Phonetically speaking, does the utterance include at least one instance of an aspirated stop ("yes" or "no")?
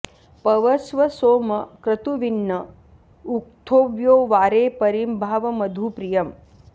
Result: yes